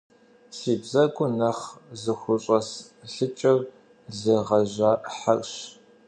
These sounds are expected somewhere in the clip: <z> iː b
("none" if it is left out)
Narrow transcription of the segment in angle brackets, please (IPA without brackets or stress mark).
s